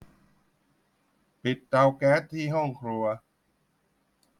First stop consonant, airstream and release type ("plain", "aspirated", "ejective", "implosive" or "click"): plain